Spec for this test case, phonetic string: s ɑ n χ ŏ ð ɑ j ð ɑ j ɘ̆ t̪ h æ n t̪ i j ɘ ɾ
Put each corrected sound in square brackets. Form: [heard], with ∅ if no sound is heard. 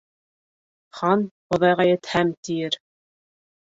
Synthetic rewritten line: [χ] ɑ n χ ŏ ð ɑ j [ʁ] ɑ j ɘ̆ t̪ h æ [m] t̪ i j ɘ ɾ